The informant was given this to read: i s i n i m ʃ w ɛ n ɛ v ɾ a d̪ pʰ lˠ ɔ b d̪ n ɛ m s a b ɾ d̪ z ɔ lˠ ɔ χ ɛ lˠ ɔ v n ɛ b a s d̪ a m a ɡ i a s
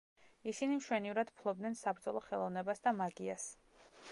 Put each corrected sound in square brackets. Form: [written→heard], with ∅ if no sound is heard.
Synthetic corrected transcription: i s i n i m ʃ w ɛ n [ɛ→i] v ɾ a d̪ pʰ lˠ ɔ b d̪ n ɛ [m→n] s a b ɾ d̪ z ɔ lˠ ɔ χ ɛ lˠ ɔ v n ɛ b a s d̪ a m a ɡ i a s

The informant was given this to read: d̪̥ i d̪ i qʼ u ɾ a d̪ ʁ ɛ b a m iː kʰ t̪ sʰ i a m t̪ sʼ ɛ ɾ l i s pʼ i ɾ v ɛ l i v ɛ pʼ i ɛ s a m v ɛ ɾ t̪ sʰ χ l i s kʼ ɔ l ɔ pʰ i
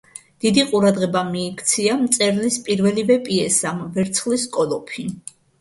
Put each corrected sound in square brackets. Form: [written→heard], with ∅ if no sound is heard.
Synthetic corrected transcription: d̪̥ i d̪ i qʼ u ɾ a d̪ ʁ ɛ b a m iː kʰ t̪ sʰ i a m t̪ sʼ ɛ ɾ l i s pʼ i ɾ v ɛ l i v ɛ pʼ i ɛ s a m v ɛ ɾ t̪ sʰ χ l i s kʼ ɔ l ɔ pʰ i

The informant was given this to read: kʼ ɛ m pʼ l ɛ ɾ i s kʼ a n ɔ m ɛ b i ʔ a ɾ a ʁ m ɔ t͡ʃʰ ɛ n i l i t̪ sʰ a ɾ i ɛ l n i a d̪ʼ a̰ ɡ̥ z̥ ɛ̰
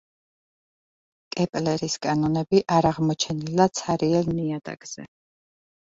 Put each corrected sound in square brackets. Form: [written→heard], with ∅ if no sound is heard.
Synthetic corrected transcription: kʼ ɛ [m→∅] pʼ l ɛ ɾ i s kʼ a n ɔ [m→n] ɛ b i ʔ a ɾ a ʁ m ɔ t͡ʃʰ ɛ n i l [i→a] t̪ sʰ a ɾ i ɛ l n i a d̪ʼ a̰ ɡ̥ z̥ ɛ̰

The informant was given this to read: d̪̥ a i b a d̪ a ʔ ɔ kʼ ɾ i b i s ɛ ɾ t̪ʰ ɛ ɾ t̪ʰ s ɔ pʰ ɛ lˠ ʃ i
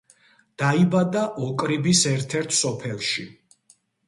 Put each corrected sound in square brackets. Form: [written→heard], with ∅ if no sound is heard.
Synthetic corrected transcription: d̪̥ a i b a d̪ a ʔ ɔ kʼ ɾ i b i s ɛ ɾ t̪ʰ ɛ ɾ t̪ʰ s ɔ pʰ ɛ lˠ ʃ i

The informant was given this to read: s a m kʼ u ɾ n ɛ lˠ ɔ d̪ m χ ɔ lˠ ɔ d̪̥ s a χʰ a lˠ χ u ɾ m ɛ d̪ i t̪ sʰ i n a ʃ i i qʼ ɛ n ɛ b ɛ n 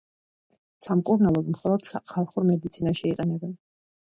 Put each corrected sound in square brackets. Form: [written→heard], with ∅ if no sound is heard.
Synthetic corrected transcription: s a m kʼ u ɾ n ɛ lˠ ɔ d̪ m χ ɔ lˠ ɔ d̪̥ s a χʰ a lˠ χ u ɾ m ɛ d̪ i t̪ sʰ i n a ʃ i i qʼ ɛ n ɛ b ɛ n

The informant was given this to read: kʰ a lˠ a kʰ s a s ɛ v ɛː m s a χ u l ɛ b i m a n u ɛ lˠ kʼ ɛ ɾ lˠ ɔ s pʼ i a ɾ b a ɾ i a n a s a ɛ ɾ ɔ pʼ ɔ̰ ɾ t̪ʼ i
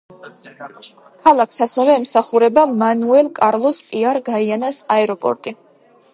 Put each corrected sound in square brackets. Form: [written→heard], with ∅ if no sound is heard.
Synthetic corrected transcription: kʰ a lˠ a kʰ s a s ɛ v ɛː m s a χ u [l→ɾ] ɛ b [i→a] m a n u ɛ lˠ kʼ [ɛ→a] ɾ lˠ ɔ s pʼ i a ɾ [b→ɡ] a [ɾ→∅] i a n a s a ɛ ɾ ɔ pʼ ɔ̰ ɾ t̪ʼ i

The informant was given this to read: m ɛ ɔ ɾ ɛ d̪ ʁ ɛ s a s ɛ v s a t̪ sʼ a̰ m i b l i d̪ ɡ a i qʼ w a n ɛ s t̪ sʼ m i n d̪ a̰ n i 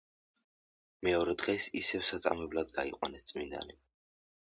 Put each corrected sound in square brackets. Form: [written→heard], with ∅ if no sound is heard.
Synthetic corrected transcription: m ɛ ɔ ɾ ɛ d̪ ʁ ɛ s [a→i] s ɛ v s a t̪ sʼ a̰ m [i→ɛ] b l [i→a] d̪ ɡ a i qʼ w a n ɛ s t̪ sʼ m i n d̪ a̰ n i

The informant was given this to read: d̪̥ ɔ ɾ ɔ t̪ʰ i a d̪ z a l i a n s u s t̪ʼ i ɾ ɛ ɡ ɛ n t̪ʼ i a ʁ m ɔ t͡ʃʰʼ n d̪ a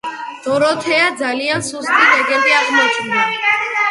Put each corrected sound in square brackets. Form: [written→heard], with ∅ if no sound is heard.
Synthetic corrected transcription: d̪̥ ɔ ɾ ɔ t̪ʰ [i→ɛ] a d̪ z a l i a n s u s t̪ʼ i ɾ ɛ ɡ ɛ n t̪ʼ i a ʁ m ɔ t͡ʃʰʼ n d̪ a

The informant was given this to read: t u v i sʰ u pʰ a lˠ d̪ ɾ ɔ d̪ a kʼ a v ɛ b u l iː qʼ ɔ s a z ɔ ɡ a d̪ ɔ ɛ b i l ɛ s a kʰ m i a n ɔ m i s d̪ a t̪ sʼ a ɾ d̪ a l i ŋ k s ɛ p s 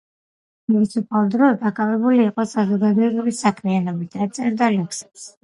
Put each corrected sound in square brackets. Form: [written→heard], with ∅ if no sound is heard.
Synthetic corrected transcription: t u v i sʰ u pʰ a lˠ d̪ ɾ ɔ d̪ a kʼ a v ɛ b u l iː qʼ ɔ s a z ɔ ɡ a d̪ ɔ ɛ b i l [ɛ→i] s a kʰ m i a n ɔ [m→b] i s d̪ a t̪ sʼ [a→ɛ] ɾ d̪ a l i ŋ k s ɛ p s

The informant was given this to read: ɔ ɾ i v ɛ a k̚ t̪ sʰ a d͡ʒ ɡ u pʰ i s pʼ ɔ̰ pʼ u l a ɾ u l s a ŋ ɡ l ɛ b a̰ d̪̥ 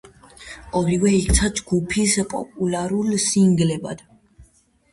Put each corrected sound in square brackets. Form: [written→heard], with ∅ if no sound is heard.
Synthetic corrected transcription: ɔ ɾ i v ɛ [a→i] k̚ t̪ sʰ a d͡ʒ ɡ u pʰ i s pʼ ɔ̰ pʼ u l a ɾ u l s [a→i] ŋ ɡ l ɛ b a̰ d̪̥

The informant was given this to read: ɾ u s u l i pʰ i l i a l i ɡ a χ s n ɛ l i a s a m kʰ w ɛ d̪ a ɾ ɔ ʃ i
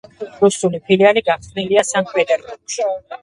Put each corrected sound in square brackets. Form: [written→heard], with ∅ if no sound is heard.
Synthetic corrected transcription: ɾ u s u l i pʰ i l i a l i ɡ a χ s n [ɛ→i] l i a s a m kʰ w ɛ d̪ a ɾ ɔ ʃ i

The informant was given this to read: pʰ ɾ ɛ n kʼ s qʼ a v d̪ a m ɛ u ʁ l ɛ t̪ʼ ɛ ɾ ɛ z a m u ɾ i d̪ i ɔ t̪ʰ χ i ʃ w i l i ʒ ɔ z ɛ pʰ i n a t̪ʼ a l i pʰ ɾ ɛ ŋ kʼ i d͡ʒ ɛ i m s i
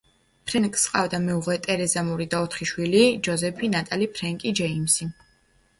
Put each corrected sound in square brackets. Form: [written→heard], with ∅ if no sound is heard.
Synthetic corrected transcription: pʰ ɾ ɛ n kʼ s qʼ a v d̪ a m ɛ u ʁ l ɛ t̪ʼ ɛ ɾ ɛ z a m u ɾ i d̪ [i→a] ɔ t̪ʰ χ i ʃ w i l i [ʒ→d͡ʒ] ɔ z ɛ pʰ i n a t̪ʼ a l i pʰ ɾ ɛ ŋ kʼ i d͡ʒ ɛ i m s i

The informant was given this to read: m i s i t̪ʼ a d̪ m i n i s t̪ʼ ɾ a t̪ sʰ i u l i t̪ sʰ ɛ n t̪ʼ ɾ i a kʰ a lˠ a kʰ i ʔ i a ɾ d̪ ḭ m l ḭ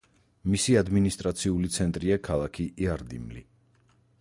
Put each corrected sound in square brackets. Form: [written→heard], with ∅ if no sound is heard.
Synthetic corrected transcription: m i s i [t̪ʼ→∅] a d̪ m i n i s t̪ʼ ɾ a t̪ sʰ i u l i t̪ sʰ ɛ n t̪ʼ ɾ i a kʰ a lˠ a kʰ i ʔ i a ɾ d̪ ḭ m l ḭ

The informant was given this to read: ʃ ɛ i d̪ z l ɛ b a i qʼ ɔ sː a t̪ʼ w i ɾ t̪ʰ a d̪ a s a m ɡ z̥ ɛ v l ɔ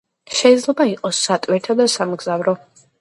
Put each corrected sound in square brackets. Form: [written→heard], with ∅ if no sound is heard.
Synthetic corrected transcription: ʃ ɛ i d̪ z l ɛ b a i qʼ ɔ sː a t̪ʼ w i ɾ t̪ʰ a d̪ a s a m ɡ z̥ [ɛ→a] v [l→ɾ] ɔ

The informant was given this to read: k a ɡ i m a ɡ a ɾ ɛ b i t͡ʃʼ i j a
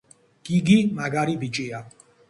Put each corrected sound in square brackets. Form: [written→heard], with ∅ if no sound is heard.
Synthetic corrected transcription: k [a→i] ɡ i m a ɡ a ɾ [ɛ→i] b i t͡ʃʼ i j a

